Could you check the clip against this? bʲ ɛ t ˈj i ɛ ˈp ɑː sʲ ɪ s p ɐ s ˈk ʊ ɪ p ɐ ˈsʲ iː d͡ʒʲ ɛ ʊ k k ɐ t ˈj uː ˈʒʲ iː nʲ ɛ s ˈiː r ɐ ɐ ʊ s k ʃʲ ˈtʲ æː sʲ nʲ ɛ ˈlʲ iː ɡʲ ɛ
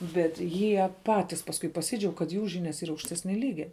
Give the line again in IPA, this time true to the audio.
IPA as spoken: bʲ ɛ t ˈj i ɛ ˈp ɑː tʲ ɪ s p ɐ s ˈk ʊ ɪ p ɐ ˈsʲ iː d͡ʒʲ ɛ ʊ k k ɐ t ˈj uː ˈʒʲ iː nʲ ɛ s ˈiː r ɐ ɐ ʊ k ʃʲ ˈtʲ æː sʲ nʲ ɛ ˈlʲ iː ɡʲ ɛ

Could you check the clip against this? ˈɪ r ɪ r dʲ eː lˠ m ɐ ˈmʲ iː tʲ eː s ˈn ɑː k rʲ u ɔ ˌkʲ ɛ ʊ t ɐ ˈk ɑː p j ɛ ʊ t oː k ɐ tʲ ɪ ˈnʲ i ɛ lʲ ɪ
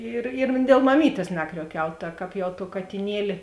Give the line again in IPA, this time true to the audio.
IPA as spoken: ˈɪ r ɪ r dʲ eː lˠ m ɐ ˈmʲ iː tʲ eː s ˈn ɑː k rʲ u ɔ ˌkʲ ɛ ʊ t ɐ ˈk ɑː p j ɛ ʊ t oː k ɐ tʲ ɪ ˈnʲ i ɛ lʲ ɪ

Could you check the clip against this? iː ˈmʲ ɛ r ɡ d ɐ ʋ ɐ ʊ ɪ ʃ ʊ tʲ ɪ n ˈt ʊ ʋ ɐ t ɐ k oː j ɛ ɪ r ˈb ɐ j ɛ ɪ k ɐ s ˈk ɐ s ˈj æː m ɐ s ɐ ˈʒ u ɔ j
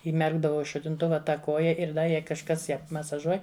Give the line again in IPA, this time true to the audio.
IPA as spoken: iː ˈmʲ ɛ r ɡ d ɐ ʋ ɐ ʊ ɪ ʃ ʊ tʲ ɪ n ˈt ʊ ʋ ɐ t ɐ k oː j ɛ ɪ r ˈd ɐ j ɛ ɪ k ɐ ʃ ˈk ɐ s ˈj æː m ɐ s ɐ ˈʒ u ɔ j

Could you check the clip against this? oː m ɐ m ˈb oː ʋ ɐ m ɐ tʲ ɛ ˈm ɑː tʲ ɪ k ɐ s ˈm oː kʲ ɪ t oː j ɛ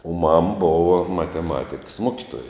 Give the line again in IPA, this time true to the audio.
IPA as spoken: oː m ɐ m ˈb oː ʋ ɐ m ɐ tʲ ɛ ˈm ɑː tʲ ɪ k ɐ s ˈm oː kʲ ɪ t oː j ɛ

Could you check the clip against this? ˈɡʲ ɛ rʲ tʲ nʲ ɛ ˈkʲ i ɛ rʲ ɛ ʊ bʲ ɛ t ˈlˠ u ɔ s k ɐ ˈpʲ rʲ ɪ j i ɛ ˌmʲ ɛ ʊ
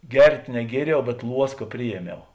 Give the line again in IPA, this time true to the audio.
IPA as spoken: ˈɡʲ ɛ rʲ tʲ nʲ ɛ ˈɡʲ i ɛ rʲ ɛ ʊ bʲ ɛ t ˈlˠ u ɔ s k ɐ ˈpʲ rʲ ɪ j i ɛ ˌmʲ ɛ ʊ

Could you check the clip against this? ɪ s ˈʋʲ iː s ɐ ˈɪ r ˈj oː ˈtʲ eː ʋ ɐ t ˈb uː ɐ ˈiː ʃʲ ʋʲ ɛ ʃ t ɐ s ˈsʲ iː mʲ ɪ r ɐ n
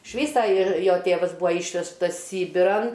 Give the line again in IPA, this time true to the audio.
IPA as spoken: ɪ ʃ ˈʋʲ iː s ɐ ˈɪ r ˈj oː ˈtʲ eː ʋ ɐ s ˈb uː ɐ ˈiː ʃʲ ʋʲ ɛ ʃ t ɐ s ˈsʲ iː bʲ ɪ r ɐ n

